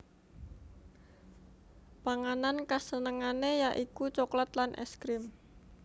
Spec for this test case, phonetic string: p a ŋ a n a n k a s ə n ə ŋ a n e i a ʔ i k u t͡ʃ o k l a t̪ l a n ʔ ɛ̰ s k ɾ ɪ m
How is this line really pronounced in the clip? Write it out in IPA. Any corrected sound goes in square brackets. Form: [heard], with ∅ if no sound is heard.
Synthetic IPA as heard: p a ŋ a n a n k a s ə n ə ŋ a n e [j] a ʔ i k u t͡ʃ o k l a t̪ l a n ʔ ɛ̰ s k ɾ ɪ m